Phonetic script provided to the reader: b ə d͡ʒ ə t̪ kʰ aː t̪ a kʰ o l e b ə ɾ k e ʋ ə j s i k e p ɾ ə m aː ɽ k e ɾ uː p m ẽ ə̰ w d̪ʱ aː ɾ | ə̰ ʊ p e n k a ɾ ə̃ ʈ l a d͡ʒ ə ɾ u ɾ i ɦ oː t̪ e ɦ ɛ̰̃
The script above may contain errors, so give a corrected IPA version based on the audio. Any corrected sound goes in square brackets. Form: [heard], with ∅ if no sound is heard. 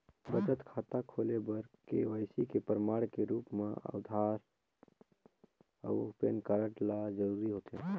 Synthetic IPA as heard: b ə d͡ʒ ə t̪ kʰ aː t̪ a kʰ o l e b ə ɾ k e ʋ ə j s i k e p ɾ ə m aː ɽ k e ɾ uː p m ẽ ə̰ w d̪ʱ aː ɾ | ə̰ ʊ p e n k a ɾ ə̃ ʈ l a d͡ʒ ə ɾ u ɾ i ɦ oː t̪ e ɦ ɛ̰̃